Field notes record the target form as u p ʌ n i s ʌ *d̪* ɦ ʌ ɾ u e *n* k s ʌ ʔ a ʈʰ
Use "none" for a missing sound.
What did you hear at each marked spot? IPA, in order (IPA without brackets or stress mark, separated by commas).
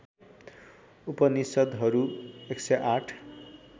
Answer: d̪, none